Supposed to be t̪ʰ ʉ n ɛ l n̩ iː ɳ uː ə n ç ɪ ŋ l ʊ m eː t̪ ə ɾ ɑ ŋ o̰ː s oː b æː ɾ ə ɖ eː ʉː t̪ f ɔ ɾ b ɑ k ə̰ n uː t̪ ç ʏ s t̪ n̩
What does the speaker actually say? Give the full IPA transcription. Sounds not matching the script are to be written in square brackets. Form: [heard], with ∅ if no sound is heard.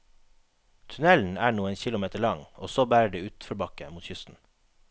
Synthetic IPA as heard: t̪ʰ ʉ n ɛ l n̩ [æː] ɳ uː ə n ç ɪ [∅] l ʊ m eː t̪ ə [ɭ] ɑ ŋ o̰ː s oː b æː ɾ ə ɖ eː ʉː t̪ f ɔ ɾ b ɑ k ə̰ [m] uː t̪ ç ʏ s t̪ n̩